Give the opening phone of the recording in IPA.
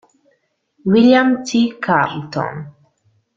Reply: w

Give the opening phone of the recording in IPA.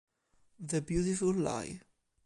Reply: ð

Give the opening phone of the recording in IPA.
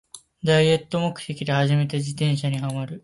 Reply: d̪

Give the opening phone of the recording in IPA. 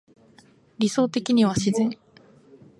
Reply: ɾʲ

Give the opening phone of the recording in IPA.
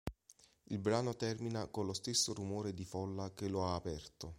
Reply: i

